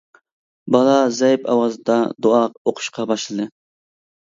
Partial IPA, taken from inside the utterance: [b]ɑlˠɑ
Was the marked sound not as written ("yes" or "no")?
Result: no